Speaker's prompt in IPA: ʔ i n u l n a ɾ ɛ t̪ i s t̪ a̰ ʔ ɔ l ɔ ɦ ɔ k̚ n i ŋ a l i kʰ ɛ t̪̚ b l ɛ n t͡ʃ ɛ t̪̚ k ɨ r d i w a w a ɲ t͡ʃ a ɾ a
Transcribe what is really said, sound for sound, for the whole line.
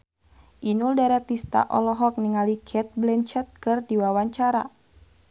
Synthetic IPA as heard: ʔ i n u l d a ɾ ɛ t̪ i s t̪ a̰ ʔ ɔ l ɔ ɦ ɔ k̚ n i ŋ a l i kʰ ɛ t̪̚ b l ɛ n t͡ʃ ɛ t̪̚ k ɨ r d i w a w a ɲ t͡ʃ a ɾ a